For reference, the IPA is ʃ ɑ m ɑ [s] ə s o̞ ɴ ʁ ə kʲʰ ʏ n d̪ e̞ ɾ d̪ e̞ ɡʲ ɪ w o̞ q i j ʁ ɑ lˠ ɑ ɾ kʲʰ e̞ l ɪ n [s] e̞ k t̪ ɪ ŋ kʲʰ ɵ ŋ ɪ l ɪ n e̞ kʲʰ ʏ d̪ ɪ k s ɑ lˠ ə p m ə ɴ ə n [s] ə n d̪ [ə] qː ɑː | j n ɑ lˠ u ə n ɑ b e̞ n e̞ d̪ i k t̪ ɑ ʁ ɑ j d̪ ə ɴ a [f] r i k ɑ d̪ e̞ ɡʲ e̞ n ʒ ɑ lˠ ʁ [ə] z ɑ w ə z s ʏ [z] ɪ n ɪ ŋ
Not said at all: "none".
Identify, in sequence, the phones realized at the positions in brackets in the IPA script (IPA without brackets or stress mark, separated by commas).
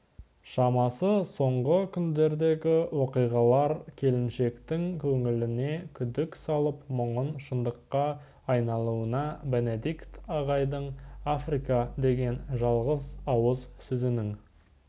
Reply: s, ʃ, ʃ, ə, f, ə, z